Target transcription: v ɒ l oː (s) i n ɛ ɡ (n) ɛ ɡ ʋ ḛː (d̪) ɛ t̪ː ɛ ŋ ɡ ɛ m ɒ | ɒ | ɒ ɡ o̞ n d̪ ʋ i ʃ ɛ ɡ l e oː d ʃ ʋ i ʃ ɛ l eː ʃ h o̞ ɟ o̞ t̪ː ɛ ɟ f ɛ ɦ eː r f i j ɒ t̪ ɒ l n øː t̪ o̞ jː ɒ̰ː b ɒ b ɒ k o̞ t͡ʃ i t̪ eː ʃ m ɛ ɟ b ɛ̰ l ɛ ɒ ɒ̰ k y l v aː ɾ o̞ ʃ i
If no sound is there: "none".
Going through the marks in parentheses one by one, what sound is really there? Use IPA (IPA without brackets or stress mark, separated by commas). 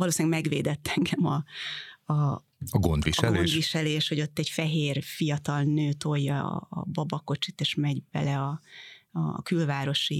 s, m, d̪